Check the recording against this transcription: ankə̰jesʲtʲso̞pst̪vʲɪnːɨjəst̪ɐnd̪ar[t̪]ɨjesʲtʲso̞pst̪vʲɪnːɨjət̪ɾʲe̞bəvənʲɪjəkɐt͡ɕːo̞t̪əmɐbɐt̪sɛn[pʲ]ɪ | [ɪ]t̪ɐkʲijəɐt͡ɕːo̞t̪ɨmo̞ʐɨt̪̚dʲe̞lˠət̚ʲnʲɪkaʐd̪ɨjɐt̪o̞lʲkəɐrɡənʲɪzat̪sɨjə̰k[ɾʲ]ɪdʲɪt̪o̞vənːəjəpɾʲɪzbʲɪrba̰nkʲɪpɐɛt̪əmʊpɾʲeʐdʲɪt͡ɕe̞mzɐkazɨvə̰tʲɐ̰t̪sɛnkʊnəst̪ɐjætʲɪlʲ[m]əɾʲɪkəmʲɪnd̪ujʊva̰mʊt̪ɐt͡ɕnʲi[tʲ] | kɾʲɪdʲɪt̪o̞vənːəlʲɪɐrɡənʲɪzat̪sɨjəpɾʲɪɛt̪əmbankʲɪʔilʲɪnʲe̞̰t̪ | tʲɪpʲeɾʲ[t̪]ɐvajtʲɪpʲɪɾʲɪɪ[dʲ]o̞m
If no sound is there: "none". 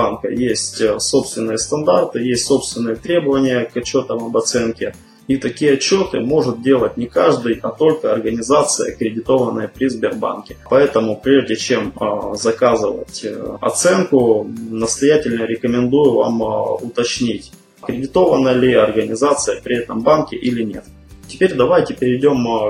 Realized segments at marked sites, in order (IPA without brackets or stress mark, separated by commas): t̪, kʲ, i, ɾʲ, n, tʲ, d̪, dʲ